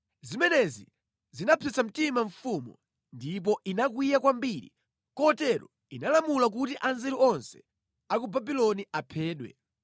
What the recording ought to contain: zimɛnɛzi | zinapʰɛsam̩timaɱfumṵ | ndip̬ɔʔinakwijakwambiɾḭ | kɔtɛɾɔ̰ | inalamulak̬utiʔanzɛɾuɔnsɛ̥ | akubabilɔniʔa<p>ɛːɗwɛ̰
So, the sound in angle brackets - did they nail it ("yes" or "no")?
no